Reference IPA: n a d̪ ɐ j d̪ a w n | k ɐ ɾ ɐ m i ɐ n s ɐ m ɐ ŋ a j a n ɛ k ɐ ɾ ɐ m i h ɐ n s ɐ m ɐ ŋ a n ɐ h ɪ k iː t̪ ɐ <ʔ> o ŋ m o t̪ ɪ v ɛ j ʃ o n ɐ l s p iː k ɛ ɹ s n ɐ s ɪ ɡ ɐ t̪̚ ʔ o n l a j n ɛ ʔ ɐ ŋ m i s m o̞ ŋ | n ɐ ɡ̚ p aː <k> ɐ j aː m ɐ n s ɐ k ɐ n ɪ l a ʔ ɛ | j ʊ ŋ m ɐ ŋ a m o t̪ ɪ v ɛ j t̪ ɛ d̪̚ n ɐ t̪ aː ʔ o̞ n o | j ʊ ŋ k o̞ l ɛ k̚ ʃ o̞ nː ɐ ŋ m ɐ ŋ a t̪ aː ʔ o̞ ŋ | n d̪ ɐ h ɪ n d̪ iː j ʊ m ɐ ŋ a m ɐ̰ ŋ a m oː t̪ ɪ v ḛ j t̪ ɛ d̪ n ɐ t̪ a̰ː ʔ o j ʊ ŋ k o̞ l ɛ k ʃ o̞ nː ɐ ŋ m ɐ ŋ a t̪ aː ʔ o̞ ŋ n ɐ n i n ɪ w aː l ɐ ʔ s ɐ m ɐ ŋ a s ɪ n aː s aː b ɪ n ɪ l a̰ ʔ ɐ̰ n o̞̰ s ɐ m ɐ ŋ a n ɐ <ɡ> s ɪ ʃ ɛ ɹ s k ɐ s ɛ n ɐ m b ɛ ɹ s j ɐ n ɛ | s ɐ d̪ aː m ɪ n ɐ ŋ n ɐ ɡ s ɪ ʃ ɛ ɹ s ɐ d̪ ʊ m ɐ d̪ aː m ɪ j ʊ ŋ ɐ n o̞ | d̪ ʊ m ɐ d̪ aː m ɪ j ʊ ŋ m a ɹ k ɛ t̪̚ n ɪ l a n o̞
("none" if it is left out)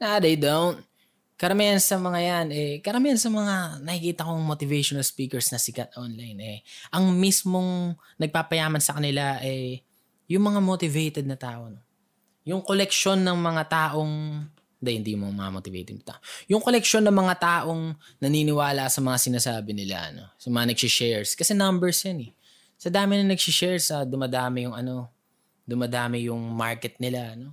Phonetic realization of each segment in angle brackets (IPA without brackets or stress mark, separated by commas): k, p, ɡ